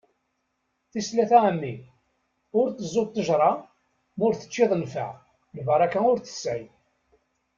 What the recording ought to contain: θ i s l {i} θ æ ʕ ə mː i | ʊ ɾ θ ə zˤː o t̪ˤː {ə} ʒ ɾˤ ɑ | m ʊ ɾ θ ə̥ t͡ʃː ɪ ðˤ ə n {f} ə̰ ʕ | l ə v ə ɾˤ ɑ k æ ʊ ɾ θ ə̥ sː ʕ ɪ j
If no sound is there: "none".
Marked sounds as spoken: æ, ə, f

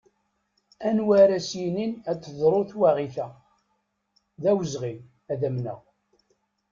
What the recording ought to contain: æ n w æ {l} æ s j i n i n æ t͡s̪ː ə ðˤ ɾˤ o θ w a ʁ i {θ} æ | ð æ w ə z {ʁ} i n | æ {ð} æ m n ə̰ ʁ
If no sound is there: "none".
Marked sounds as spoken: ɾ, θ, ʁ, ð

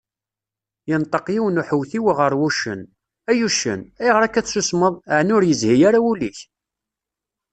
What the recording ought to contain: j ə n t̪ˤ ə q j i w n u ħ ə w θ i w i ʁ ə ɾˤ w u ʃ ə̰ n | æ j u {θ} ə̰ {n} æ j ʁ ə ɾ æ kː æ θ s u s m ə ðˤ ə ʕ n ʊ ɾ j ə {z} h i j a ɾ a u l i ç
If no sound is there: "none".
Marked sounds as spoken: ʃ, n, z

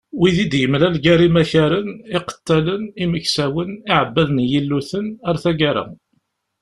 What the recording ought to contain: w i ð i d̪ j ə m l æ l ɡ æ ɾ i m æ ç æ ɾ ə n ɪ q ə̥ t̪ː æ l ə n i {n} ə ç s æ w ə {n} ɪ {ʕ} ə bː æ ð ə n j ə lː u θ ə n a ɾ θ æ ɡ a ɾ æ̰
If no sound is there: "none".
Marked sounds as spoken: m, n, ʕ

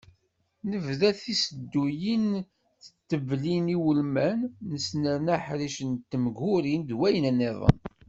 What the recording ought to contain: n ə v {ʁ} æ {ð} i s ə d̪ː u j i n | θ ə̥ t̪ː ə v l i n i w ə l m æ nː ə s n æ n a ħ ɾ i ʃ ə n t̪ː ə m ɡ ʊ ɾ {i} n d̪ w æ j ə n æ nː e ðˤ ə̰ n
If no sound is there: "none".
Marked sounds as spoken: ð, θ, i

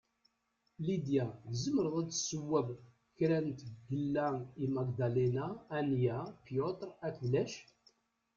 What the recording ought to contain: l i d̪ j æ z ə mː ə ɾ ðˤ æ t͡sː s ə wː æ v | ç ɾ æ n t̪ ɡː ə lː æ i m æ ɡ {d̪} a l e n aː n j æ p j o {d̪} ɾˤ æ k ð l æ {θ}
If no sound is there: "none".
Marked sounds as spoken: d̪, t̪, ʃ

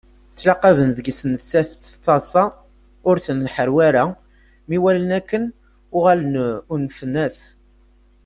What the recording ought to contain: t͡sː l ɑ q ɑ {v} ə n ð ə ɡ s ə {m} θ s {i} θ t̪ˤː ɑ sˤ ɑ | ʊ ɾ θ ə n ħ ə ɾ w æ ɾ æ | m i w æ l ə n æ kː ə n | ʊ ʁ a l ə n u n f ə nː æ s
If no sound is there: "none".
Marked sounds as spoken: v, n, æ

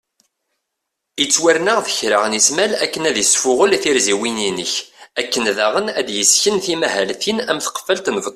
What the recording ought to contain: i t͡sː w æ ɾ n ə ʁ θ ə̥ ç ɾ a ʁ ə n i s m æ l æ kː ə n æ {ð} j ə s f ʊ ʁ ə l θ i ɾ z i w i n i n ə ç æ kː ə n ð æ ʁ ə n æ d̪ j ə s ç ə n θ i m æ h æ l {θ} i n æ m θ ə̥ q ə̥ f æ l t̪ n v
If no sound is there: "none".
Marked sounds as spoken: ð, θ

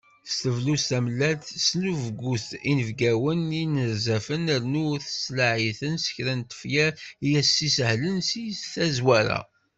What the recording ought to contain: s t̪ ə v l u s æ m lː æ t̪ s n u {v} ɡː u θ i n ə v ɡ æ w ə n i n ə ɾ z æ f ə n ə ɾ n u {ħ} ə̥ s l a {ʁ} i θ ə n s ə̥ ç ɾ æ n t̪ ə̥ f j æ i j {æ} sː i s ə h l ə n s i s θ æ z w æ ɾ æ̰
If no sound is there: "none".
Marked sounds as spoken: v, θ, ʕ, æ

